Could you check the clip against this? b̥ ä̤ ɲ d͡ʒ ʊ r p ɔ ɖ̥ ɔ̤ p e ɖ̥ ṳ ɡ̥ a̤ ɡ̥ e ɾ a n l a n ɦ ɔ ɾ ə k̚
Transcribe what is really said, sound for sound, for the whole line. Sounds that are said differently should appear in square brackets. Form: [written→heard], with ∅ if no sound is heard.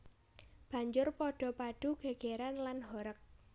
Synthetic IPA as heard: b̥ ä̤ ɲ d͡ʒ ʊ r p ɔ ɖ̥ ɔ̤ p [e→a] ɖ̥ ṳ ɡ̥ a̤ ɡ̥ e ɾ a n l a n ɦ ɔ ɾ ə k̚